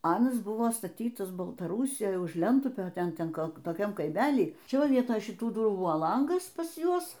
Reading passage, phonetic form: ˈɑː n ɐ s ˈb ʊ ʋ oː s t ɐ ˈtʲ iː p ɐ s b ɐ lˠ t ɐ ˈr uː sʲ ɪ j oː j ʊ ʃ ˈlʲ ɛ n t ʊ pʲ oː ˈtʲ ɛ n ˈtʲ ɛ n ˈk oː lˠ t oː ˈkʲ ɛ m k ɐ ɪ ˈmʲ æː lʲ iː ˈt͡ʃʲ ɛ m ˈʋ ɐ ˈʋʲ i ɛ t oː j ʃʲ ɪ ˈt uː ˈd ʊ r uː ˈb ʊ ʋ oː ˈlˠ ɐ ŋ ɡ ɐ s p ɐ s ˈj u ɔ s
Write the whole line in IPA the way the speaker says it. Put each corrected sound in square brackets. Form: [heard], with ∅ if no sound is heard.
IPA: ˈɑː n ɐ s ˈb ʊ ʋ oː s t ɐ ˈtʲ iː [t] ɐ s b ɐ lˠ t ɐ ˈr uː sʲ ɪ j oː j ʊ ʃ ˈlʲ ɛ n t ʊ pʲ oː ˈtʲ ɛ n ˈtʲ ɛ n ˈk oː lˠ t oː ˈkʲ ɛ m k ɐ ɪ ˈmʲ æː lʲ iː ˈt͡ʃʲ ɛ [∅] ˈʋ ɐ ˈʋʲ i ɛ t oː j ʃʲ ɪ ˈt uː ˈd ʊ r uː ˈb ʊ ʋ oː ˈlˠ ɐ ŋ ɡ ɐ s p ɐ s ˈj u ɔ s